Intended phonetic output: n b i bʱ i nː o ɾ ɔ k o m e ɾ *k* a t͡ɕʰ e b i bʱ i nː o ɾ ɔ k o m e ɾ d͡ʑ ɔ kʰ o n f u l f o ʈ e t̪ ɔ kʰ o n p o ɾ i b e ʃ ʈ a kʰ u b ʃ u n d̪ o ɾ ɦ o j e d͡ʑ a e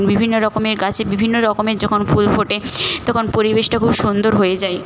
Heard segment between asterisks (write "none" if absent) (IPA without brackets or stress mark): ɡ